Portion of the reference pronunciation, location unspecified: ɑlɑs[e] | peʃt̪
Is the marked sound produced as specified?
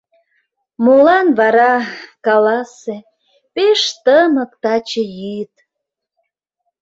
yes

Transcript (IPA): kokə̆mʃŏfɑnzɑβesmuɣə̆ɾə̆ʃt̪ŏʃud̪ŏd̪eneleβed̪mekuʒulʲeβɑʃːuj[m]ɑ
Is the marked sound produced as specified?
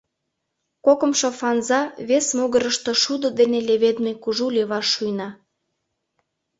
no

